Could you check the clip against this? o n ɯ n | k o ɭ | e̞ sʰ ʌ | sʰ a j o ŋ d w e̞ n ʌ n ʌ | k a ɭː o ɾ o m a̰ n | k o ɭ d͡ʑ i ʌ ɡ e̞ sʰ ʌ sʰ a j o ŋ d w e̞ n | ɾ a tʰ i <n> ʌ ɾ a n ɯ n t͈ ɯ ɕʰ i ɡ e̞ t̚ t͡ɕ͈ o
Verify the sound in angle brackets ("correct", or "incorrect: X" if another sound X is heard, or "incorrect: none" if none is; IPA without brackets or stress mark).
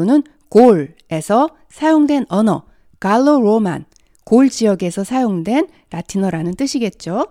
correct